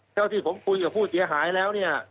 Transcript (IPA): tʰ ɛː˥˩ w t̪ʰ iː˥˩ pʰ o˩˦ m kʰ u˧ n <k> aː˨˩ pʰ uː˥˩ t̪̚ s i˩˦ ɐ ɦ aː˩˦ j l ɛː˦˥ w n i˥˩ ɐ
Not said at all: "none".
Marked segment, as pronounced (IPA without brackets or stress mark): k